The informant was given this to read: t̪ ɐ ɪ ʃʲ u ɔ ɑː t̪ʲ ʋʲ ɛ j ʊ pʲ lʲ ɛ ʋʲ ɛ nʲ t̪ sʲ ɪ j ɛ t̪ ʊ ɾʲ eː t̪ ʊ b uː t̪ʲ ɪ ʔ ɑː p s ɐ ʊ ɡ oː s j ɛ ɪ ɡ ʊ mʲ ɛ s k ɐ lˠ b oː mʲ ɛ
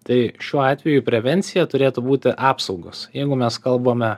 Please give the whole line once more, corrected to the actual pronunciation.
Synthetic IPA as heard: t̪ ɐ ɪ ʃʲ u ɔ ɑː t̪ʲ ʋʲ ɛ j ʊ pʲ ɾʲ ɛ ʋʲ ɛ nʲ t̪ sʲ ɪ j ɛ t̪ ʊ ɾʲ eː t̪ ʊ b uː t̪ʲ ɪ ʔ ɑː p s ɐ ʊ ɡ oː s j ɛ ɪ ɡ ʊ mʲ ɛ s k ɐ lˠ b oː mʲ ɛ